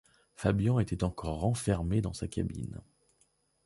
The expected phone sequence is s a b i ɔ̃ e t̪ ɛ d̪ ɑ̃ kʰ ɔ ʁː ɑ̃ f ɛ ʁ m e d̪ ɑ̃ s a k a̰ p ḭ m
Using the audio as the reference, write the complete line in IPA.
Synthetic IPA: f a b j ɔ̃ e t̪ ɛ t̪ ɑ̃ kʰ ɔ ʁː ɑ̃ f ɛ ʁ m e d̪ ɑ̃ s a k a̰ b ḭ n